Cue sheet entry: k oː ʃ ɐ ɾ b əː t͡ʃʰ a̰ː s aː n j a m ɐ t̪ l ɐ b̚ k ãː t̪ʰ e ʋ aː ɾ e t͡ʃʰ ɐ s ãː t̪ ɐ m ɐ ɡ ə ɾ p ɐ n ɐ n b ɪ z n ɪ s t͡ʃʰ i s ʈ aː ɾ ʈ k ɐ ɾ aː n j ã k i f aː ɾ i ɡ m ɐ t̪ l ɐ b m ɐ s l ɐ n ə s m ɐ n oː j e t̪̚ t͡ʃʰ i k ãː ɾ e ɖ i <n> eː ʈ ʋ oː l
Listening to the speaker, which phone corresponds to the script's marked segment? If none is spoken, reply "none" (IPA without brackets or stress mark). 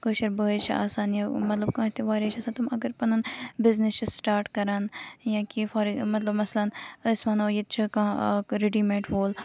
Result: m